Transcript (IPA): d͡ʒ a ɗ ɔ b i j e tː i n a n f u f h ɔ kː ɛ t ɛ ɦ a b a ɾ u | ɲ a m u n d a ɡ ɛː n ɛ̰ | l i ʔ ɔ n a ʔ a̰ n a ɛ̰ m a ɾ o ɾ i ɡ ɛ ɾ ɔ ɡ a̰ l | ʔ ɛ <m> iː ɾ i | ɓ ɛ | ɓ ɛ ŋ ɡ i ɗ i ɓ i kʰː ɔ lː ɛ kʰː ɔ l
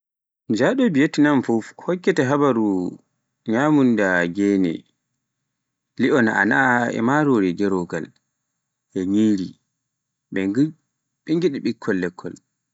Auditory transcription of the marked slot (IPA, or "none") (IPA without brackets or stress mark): ɲ